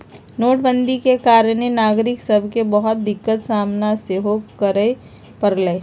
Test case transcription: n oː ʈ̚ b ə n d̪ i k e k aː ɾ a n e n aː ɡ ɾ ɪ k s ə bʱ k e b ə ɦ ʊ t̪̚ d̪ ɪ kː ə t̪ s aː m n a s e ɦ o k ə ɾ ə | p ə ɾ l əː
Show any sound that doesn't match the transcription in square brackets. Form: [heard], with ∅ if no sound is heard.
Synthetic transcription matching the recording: n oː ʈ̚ b ə n d̪ i k e k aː ɾ [ə] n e n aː ɡ ɾ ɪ k s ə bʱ k e b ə ɦ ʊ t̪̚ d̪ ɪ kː ə t̪ s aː m n a s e ɦ o k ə ɾ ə | p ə ɾ l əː